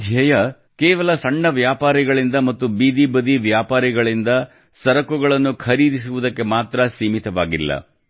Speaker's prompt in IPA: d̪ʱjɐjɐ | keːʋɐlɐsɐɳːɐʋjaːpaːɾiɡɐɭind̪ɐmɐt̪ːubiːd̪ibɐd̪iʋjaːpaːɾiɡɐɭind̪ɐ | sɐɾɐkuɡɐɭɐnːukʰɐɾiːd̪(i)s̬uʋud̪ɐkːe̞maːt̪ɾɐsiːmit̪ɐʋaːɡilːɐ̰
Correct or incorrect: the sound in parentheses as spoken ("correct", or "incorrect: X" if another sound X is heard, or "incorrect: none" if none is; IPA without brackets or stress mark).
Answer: correct